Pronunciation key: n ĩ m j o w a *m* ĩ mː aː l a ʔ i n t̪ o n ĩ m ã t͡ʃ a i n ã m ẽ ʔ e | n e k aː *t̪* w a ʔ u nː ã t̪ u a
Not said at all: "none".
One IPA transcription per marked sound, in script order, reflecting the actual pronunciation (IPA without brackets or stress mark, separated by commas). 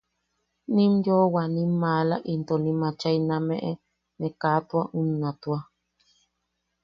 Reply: n, t̪